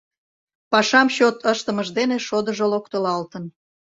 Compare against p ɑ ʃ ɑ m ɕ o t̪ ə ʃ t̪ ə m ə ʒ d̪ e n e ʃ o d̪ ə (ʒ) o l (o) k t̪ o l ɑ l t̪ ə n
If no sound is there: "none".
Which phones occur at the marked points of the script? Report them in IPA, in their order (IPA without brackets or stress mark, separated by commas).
ʒ, o